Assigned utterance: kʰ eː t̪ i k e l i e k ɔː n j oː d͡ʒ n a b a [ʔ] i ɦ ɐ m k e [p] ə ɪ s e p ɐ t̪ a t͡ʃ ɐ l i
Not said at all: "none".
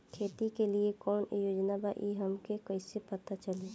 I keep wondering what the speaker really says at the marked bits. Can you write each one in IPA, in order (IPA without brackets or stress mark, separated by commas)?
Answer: ʔ, k